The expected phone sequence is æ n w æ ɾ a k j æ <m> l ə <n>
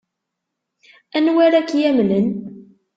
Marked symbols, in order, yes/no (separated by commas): yes, yes